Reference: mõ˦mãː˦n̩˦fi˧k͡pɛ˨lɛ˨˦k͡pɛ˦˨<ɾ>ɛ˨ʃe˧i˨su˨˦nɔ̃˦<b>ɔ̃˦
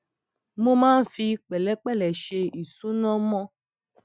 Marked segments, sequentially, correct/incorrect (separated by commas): incorrect, incorrect